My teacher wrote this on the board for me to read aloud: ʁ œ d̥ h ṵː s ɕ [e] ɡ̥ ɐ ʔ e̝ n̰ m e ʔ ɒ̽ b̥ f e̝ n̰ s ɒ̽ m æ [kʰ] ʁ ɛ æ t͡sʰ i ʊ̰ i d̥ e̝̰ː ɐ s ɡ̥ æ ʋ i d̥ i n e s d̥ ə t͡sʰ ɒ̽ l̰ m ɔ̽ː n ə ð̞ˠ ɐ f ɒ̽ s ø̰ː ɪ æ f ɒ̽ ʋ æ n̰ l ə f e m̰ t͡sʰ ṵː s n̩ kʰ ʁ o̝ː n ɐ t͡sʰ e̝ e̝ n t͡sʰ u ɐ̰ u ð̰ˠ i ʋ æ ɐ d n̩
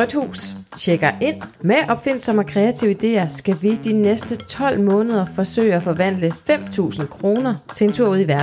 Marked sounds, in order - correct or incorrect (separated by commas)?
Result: correct, correct